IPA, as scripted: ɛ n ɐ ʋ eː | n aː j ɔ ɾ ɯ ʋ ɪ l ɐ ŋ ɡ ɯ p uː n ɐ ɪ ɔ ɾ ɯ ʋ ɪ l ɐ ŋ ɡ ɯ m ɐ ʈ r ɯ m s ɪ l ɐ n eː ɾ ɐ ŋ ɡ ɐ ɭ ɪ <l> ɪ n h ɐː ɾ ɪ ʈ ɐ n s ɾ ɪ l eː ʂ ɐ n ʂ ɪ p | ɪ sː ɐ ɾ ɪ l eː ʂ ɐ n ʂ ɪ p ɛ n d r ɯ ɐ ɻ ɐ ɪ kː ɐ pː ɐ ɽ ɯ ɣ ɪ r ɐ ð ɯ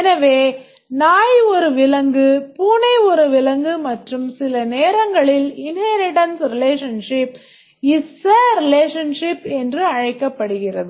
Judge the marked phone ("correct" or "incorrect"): correct